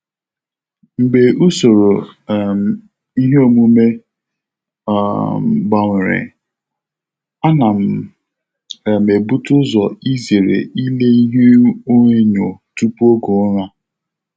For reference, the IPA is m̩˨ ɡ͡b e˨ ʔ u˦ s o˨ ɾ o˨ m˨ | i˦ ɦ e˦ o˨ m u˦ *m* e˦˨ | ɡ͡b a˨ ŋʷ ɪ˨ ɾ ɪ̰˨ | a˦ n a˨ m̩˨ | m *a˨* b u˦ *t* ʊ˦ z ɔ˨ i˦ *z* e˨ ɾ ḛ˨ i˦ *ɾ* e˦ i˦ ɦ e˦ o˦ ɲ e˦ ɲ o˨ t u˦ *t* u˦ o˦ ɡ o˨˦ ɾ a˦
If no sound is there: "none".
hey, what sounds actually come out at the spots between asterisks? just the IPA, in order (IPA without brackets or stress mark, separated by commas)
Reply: m, e˨, t, z, l, p